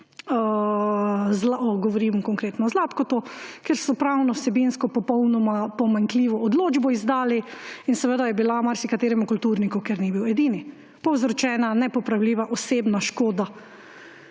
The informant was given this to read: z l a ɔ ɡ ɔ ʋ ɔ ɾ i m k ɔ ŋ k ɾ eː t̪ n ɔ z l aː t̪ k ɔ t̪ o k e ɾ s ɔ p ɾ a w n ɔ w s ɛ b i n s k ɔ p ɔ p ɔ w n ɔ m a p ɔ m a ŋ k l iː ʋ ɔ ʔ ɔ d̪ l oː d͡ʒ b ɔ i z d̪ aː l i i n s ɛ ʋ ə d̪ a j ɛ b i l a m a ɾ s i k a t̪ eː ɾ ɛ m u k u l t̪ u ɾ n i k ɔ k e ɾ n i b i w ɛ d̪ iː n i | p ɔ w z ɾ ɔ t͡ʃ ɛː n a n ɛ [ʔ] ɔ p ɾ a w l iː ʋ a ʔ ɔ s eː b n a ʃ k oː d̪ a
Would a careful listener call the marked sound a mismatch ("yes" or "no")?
yes